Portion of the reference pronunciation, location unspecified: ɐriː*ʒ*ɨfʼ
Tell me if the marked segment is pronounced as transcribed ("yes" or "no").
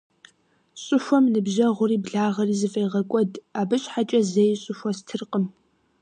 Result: no